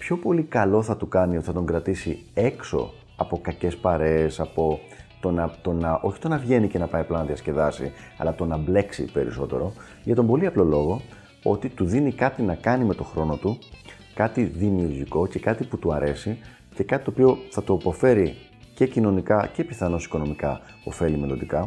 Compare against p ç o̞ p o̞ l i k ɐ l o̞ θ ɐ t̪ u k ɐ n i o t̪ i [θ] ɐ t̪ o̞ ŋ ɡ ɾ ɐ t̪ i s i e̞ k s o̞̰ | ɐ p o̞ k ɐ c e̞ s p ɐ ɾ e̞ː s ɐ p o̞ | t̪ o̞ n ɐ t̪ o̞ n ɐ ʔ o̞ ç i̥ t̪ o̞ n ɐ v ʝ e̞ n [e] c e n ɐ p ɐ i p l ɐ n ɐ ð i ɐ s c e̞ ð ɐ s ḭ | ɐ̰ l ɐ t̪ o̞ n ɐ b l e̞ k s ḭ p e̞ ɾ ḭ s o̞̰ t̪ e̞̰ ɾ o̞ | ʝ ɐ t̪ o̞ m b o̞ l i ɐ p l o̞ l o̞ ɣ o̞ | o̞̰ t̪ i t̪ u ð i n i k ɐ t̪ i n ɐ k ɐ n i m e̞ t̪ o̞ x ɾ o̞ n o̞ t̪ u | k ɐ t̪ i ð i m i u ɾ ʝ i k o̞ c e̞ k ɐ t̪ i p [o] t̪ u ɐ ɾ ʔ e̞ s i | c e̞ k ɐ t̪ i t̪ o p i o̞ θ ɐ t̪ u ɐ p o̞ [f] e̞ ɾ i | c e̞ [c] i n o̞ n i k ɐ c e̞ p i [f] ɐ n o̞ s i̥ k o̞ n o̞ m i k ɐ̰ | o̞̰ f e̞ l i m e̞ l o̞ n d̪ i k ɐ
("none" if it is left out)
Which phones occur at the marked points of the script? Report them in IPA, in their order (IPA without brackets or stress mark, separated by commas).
θ, i, u, f, c, θ